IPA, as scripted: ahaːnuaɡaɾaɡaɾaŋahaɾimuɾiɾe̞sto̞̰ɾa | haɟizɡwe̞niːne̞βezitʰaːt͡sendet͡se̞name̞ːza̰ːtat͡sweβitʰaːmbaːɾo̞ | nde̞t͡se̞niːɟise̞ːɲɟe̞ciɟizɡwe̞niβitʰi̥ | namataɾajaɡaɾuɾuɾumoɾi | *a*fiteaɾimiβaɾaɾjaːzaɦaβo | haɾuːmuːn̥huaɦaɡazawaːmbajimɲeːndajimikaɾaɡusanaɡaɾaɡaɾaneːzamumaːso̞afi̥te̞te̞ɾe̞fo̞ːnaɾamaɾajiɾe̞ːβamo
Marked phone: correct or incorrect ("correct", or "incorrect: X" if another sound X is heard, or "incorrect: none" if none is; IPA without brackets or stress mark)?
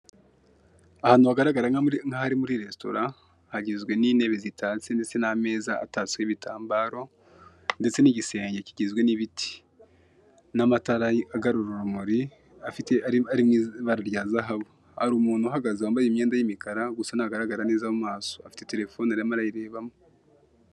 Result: correct